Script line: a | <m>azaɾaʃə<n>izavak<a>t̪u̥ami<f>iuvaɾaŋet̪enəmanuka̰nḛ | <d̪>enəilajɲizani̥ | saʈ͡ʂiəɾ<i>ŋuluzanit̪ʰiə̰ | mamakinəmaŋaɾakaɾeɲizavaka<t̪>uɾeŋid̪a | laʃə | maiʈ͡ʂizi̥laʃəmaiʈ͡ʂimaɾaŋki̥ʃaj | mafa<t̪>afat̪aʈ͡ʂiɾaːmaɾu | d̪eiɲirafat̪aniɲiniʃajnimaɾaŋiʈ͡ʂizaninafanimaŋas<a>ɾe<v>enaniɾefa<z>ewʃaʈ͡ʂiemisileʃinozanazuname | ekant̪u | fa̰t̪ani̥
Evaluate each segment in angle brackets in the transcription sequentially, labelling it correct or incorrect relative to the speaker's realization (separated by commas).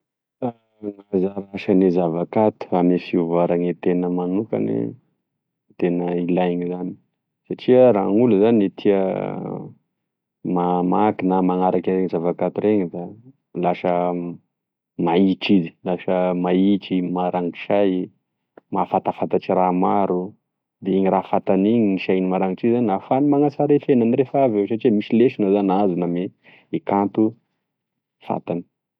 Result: incorrect, correct, correct, correct, incorrect, incorrect, correct, correct, correct, incorrect, incorrect